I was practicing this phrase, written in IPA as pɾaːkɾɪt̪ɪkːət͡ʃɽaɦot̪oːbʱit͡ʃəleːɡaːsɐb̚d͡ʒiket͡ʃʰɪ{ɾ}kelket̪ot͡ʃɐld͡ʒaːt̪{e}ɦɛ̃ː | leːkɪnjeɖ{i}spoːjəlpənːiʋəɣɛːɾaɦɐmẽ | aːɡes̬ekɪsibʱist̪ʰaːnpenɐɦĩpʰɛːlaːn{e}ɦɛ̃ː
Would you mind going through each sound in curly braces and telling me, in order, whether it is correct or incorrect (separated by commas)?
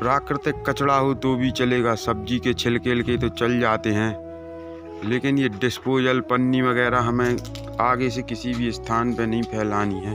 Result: incorrect, correct, incorrect, incorrect